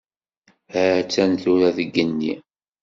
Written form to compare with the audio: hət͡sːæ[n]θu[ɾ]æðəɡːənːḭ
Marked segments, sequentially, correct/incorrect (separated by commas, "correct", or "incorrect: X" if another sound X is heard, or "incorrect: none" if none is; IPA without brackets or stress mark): correct, correct